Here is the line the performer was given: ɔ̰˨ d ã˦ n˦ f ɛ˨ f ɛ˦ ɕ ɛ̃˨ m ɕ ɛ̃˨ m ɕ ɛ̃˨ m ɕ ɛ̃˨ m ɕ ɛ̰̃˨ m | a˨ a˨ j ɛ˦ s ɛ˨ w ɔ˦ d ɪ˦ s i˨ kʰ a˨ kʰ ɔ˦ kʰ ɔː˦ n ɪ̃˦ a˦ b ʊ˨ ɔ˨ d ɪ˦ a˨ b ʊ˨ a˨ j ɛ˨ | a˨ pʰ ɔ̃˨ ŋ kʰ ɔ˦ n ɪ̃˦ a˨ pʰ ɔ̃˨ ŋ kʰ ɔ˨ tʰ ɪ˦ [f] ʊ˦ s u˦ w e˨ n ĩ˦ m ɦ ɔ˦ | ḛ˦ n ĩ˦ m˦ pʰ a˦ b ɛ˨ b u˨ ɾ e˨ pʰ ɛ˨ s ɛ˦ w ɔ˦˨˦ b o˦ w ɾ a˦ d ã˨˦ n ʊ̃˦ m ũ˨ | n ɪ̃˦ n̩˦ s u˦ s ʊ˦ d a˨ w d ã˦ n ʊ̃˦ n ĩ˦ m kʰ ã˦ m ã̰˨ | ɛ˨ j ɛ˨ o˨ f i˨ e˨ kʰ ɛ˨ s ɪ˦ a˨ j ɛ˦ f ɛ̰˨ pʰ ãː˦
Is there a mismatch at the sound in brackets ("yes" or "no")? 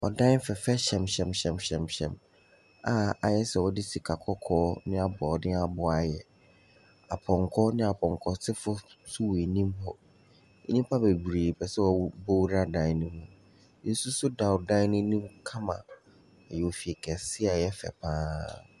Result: no